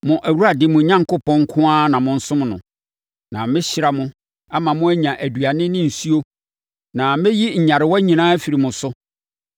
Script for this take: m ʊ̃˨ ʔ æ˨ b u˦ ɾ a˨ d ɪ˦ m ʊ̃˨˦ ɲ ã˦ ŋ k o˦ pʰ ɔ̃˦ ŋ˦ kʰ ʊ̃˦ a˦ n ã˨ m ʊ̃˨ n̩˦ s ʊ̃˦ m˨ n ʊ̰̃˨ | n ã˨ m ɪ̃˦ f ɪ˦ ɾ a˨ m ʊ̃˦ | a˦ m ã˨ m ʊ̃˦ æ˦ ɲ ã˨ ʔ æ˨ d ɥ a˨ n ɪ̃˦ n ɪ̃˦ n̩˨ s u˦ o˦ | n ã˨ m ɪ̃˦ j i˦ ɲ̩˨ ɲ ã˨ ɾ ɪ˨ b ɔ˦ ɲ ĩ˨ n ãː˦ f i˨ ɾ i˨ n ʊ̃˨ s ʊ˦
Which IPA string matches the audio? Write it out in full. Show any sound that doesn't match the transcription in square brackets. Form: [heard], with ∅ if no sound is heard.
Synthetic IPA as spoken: m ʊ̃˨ ʔ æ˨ [w] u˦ ɾ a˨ d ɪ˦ m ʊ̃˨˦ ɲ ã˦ ŋ k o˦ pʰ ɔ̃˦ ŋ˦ kʰ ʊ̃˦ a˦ n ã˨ m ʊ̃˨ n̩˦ s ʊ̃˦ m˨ n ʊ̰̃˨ | n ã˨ m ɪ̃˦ [ɕ] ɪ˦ ɾ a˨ m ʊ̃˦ | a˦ m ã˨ m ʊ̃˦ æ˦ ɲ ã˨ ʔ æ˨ d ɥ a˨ n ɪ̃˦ n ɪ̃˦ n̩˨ s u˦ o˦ | n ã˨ m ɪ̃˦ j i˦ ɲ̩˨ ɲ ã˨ ɾ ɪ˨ [w] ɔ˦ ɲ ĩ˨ n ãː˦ f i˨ ɾ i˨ [m] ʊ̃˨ s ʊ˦